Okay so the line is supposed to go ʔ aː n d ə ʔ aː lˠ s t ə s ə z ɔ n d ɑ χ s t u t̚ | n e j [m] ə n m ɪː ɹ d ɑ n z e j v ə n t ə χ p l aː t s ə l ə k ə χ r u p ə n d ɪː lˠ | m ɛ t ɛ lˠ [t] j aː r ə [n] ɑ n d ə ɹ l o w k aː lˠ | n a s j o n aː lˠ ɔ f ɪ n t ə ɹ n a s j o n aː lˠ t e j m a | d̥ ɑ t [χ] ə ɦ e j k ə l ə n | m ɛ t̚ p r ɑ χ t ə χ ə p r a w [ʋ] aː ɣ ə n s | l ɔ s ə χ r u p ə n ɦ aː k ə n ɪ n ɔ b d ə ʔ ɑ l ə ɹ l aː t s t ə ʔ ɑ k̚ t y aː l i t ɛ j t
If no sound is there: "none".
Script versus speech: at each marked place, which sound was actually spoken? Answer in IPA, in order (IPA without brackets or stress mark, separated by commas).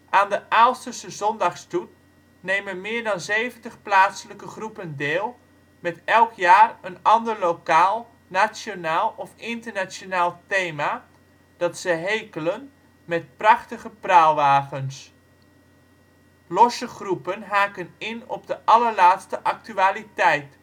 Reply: m, k, n, s, ʋ